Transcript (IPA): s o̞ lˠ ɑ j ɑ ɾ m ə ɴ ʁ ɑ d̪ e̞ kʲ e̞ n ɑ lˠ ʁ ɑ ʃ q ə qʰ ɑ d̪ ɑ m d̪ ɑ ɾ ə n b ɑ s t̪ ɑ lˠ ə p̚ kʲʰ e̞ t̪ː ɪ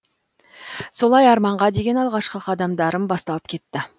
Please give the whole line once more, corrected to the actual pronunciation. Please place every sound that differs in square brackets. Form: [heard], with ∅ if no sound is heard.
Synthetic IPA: s o̞ lˠ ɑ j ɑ ɾ m [ɑ] ɴ ʁ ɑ d̪ e̞ [ɡʲ] e̞ n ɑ lˠ ʁ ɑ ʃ q ə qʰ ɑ d̪ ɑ m d̪ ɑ ɾ ə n b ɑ s t̪ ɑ lˠ ə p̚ kʲʰ e̞ t̪ː ɪ